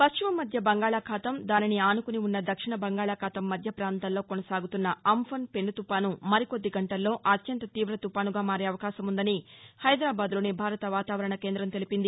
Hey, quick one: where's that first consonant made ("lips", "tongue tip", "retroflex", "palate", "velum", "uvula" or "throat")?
lips